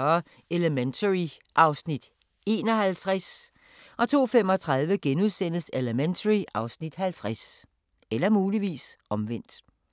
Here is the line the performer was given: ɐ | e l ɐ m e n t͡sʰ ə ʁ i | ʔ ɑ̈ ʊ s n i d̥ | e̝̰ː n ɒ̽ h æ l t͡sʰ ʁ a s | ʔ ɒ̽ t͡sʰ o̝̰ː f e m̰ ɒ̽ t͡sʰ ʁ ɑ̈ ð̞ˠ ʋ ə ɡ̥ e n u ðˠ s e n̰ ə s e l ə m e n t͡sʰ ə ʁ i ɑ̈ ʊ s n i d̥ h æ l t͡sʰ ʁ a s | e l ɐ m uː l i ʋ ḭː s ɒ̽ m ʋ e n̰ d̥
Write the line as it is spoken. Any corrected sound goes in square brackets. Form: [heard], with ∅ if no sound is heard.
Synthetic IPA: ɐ | e l [ə] m e n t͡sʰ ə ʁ i | ʔ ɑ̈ ʊ s n i d̥ | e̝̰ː n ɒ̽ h æ l t͡sʰ ʁ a s | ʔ ɒ̽ t͡sʰ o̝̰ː f e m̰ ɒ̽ t͡sʰ ʁ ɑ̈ ð̞ˠ ʋ ə ɡ̥ e n u ðˠ s e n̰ ə s e l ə m e n t͡sʰ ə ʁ i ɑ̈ ʊ s n i d̥ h æ l t͡sʰ ʁ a s | e l ɐ m uː l i ʋ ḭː s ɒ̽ m ʋ e n̰ d̥